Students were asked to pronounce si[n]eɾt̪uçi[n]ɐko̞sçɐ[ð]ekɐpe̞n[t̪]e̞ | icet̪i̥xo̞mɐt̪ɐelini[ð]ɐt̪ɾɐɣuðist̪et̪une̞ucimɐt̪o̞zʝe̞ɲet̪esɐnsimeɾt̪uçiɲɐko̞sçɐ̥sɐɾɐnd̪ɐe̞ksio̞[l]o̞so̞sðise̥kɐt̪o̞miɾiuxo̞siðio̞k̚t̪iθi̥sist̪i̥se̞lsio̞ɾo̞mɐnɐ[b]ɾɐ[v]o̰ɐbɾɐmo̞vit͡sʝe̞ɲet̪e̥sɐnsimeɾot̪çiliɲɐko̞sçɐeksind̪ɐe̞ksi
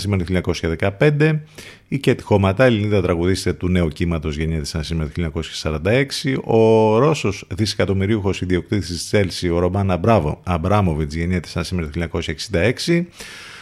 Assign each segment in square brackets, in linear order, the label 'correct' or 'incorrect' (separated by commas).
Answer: incorrect, incorrect, correct, incorrect, correct, incorrect, correct, correct